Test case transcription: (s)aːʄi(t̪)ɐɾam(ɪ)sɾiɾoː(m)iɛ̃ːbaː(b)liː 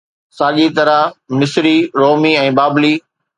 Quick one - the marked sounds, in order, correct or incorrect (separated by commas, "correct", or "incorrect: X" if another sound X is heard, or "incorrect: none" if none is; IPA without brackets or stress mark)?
correct, correct, correct, correct, correct